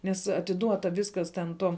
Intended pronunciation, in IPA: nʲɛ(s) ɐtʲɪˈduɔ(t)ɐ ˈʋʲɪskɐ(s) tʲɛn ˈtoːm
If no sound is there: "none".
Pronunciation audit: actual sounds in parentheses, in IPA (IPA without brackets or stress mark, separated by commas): s, t, s